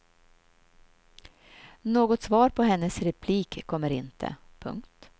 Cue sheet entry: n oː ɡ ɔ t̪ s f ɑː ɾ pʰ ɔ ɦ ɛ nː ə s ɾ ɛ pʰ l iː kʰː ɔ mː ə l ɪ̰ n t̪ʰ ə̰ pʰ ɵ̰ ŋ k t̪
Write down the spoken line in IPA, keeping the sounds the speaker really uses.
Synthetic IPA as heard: n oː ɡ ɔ t̪ s v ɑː ɾ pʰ ɔ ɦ ɛ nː ə s ɾ ɛ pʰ l iː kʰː ɔ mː ə ɾ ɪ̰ n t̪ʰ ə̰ pʰ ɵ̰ ŋ k t̪